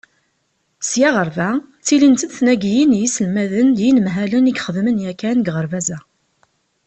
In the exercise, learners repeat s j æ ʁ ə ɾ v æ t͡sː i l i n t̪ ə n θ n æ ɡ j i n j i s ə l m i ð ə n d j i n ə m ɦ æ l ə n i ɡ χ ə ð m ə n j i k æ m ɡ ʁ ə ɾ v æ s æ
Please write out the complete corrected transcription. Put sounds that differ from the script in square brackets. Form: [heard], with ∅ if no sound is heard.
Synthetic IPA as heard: s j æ ʁ ə ɾ v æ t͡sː i l i n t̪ ə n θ n æ ɡ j i n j i s ə l m [æ] ð ə n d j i n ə m ɦ æ l ə n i ɡ χ ə ð m ə n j [æ] k æ [n] ɡ ʁ ə ɾ v æ [z] æ